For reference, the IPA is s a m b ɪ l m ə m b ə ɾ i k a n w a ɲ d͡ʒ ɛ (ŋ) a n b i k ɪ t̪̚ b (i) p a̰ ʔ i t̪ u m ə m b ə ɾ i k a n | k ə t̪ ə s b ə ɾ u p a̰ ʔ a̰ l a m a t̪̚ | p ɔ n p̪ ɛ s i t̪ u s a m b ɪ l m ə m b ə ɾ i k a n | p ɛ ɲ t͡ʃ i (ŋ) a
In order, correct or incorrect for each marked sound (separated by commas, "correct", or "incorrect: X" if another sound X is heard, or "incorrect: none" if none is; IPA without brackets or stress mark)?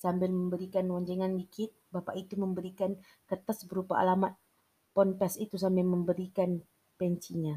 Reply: correct, incorrect: a, incorrect: ɲ